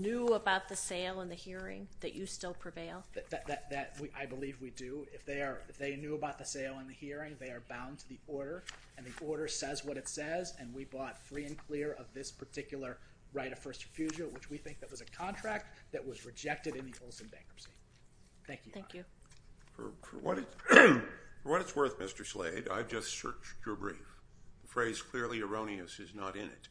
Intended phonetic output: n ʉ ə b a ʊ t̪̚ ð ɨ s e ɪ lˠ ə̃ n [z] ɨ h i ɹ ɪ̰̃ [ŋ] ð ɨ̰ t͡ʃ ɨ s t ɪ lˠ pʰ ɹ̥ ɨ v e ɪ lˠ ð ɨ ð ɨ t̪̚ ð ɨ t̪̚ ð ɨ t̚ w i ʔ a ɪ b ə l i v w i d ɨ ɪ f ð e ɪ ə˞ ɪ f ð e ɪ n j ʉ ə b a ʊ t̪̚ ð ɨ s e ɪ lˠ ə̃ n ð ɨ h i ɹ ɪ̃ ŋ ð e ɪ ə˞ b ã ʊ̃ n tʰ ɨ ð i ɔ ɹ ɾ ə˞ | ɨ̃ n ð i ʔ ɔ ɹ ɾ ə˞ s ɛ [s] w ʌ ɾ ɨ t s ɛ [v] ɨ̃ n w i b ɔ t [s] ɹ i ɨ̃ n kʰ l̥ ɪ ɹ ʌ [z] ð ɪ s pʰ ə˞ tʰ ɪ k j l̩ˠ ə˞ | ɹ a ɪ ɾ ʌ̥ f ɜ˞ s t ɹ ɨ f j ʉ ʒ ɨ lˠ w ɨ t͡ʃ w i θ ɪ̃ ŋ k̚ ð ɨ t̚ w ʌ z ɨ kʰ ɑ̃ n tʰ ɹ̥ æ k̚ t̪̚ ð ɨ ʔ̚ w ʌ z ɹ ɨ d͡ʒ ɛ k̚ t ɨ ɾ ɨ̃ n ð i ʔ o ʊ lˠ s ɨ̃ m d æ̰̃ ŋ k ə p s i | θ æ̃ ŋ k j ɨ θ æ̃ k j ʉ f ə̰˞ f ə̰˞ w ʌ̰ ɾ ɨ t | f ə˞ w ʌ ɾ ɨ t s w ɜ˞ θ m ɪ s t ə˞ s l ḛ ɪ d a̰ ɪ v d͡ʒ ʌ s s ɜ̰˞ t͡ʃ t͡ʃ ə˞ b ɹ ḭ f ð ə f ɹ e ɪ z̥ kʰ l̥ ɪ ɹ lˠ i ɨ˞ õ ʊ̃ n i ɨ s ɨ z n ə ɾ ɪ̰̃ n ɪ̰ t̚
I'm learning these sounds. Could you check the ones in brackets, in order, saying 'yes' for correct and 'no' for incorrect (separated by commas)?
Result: no, yes, no, no, no, no